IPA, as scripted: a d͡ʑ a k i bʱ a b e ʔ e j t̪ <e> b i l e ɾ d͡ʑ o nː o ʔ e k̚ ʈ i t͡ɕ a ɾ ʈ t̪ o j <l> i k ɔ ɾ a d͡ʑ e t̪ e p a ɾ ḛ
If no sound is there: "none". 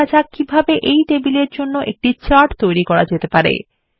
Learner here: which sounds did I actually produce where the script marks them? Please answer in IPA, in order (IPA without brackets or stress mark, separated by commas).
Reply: e, ɾ